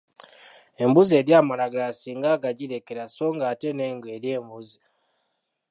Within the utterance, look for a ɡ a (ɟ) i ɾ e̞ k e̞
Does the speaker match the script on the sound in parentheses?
yes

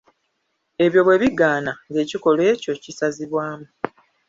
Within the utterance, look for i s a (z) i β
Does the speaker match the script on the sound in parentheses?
yes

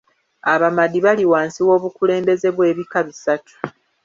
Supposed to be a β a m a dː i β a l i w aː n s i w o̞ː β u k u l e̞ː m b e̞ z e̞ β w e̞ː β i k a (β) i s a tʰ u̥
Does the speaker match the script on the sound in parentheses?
yes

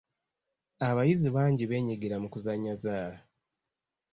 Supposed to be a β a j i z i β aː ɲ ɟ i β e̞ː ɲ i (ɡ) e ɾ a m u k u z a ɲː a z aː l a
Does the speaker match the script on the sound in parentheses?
yes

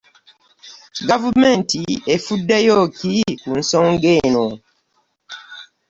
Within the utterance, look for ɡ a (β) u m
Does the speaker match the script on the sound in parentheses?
no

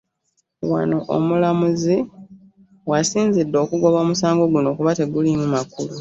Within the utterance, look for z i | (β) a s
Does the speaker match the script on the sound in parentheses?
no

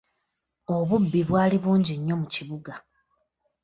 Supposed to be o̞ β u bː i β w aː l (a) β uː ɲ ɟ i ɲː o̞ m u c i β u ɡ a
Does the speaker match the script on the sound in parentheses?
no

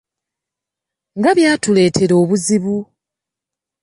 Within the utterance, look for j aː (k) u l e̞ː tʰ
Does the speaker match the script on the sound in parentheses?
no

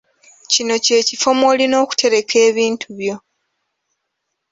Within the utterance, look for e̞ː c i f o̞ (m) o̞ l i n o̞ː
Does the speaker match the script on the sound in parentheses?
yes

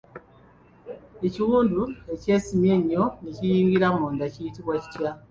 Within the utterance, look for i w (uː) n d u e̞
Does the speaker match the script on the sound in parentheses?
yes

